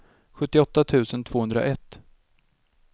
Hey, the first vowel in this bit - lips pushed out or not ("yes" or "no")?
yes